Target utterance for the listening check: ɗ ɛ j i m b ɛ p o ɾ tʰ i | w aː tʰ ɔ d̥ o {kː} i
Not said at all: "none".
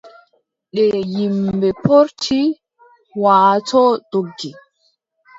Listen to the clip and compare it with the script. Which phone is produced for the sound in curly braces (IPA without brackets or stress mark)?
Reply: ɡː